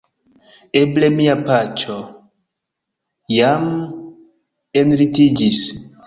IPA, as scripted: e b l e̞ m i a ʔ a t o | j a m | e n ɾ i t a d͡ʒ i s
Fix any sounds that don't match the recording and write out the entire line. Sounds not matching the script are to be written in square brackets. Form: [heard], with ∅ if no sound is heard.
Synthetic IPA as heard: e b l e̞ m i a [p] a [t͡ʃ] o | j a m | e n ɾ i t [i] d͡ʒ i s